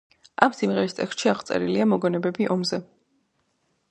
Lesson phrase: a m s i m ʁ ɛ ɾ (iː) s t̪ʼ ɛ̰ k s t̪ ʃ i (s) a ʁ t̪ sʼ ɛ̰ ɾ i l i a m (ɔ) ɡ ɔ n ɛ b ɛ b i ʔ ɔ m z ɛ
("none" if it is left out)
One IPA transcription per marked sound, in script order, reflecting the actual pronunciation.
i, none, ɔ

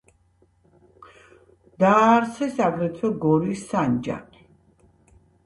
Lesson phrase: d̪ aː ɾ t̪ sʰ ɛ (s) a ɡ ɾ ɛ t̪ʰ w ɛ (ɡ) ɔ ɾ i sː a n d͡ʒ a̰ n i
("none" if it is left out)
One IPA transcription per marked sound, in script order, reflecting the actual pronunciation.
s, ɡ

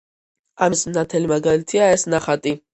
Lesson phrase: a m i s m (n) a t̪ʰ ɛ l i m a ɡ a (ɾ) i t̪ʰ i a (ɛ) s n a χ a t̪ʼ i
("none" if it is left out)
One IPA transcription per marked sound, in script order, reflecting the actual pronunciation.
n, l, ɛ

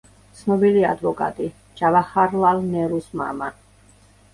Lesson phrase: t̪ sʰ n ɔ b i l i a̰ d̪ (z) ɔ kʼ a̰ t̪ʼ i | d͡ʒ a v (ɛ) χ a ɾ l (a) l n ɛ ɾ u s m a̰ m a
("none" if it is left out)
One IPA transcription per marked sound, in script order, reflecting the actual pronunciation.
v, a, a

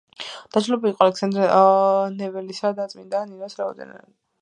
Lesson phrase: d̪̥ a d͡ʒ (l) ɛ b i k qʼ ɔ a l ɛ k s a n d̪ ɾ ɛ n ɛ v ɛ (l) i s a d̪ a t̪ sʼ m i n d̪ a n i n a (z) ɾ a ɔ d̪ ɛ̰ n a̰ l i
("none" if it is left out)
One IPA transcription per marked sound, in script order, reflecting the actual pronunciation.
l, l, s

